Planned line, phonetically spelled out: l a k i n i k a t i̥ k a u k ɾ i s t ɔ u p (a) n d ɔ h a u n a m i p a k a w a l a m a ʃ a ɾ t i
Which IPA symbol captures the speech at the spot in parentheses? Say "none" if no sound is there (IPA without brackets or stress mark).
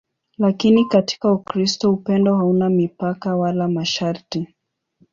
ɛ